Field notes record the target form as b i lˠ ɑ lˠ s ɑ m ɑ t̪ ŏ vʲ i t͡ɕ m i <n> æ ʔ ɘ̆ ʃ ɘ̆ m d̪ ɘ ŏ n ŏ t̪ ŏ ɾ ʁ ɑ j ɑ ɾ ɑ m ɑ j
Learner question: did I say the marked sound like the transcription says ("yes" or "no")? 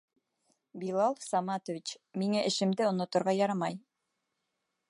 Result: no